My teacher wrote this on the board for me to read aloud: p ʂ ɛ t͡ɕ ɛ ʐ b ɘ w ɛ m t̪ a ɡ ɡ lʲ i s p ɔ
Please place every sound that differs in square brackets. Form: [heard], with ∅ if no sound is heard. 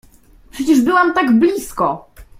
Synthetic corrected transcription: p ʂ ɛ t͡ɕ ɛ ʐ b ɘ w [a] m t̪ a ɡ [b] lʲ i s [k] ɔ

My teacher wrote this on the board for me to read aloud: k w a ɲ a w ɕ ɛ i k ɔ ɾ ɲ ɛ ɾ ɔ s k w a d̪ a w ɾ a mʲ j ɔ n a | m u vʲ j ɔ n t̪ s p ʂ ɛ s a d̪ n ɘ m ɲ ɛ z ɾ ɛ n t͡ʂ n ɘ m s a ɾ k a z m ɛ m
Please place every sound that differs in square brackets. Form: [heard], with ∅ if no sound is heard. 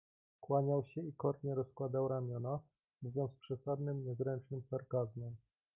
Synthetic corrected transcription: k w a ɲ a w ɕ ɛ i k ɔ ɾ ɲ ɛ ɾ ɔ s k w a d̪ a w ɾ a mʲ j ɔ n a | m u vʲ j ɔ n t̪ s p ʂ ɛ s a d̪ n ɘ m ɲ ɛ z ɾ ɛ n t͡ʂ n ɘ m s a ɾ k a z m ɛ m

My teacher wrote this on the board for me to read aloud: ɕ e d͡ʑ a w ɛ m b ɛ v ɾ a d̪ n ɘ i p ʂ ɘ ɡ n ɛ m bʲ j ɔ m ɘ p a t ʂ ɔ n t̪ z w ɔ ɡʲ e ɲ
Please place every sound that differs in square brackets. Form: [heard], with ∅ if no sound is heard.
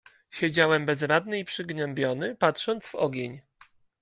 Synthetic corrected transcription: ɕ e d͡ʑ a w ɛ m b ɛ [z] ɾ a d̪ n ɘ i p ʂ ɘ ɡ n ɛ m bʲ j ɔ [n] ɘ p a t ʂ ɔ n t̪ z [v] ɔ ɡʲ e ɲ

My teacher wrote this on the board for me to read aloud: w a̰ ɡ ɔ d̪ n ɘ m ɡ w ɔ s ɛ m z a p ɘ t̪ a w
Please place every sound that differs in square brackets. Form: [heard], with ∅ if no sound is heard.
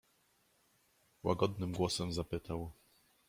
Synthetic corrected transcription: w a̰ ɡ ɔ d̪ n ɘ m ɡ w ɔ s ɛ m z a p ɘ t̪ a w

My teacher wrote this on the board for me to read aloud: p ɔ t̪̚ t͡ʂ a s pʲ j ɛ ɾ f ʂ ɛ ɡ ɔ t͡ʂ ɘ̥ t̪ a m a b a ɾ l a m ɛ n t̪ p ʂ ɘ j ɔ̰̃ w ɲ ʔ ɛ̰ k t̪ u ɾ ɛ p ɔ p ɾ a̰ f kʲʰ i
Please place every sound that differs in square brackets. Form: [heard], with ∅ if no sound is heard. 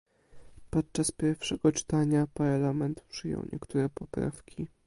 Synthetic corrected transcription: p ɔ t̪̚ t͡ʂ a s pʲ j ɛ ɾ f ʂ ɛ ɡ ɔ t͡ʂ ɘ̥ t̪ a [ɲ] a [p] a ɾ l a m ɛ n t̪ p ʂ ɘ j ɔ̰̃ w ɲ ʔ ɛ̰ k t̪ u ɾ ɛ p ɔ p ɾ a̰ f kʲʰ i

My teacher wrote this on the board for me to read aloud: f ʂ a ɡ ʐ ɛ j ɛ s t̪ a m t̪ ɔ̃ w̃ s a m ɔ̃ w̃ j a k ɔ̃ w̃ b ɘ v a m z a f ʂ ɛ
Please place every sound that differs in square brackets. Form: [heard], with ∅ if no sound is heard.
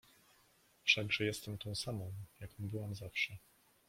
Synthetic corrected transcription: f ʂ a ɡ ʐ ɛ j ɛ s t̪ [ɛ] m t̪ ɔ̃ w̃ s a m ɔ̃ w̃ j a k ɔ̃ w̃ b ɘ [w] a m z a f ʂ ɛ

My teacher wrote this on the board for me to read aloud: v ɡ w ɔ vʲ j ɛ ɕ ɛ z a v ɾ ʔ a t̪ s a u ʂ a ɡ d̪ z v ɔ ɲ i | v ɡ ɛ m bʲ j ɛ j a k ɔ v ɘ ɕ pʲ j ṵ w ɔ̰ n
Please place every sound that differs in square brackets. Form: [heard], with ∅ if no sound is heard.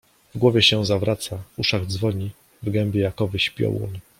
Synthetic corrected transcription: v ɡ w ɔ vʲ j ɛ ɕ ɛ z a v ɾ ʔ a t̪ s a u ʂ a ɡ d̪ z v ɔ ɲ i | v ɡ ɛ m bʲ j ɛ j a k ɔ v ɘ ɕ pʲ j [ɔ̰] w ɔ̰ n

